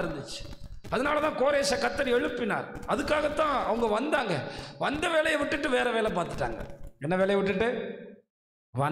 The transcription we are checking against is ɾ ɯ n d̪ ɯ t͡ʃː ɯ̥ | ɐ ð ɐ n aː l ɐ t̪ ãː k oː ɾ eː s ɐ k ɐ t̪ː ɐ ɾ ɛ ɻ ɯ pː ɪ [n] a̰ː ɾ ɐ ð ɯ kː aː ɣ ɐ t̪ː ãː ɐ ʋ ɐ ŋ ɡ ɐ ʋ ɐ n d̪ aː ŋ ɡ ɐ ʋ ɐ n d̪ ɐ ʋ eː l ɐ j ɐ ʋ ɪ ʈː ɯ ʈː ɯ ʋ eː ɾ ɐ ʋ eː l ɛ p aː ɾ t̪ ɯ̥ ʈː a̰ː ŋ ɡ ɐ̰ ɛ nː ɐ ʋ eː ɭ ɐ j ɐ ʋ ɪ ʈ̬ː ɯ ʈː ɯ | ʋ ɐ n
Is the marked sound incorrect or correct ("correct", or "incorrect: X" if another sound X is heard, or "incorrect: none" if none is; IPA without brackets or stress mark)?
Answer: correct